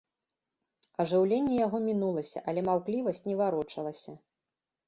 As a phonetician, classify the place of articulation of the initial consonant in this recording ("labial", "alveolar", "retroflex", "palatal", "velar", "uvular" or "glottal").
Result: retroflex